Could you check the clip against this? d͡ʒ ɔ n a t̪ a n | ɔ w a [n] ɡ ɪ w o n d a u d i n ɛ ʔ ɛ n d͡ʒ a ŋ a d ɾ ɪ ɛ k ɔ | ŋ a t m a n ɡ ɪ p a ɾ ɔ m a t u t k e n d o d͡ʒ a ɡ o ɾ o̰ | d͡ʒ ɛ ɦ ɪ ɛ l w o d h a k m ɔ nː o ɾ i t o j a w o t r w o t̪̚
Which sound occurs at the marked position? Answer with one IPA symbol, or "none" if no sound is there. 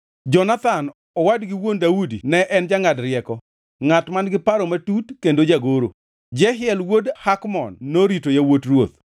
d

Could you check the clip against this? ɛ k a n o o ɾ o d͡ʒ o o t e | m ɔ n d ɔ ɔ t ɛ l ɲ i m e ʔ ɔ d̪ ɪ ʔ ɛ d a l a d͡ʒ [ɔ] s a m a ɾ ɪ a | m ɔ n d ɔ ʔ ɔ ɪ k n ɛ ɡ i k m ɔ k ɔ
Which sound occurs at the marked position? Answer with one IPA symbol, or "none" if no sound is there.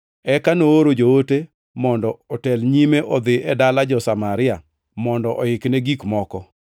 ɔ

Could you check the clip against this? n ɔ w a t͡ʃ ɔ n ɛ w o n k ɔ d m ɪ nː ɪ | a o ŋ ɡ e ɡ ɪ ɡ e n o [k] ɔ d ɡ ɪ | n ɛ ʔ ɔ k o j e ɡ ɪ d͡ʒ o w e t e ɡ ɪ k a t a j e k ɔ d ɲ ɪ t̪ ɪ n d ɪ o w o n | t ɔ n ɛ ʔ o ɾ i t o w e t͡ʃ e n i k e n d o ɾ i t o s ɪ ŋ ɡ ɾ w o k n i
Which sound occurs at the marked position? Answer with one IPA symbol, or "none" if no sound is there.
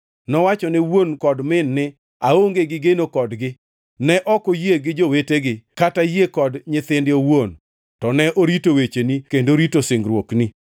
k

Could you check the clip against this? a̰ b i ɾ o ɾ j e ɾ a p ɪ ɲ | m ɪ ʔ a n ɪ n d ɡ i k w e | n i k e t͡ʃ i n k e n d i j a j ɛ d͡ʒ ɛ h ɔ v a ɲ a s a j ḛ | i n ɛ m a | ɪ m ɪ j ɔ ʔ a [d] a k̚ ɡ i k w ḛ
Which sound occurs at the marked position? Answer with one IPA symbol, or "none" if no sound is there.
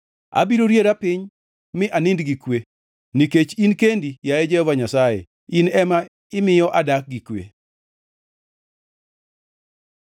d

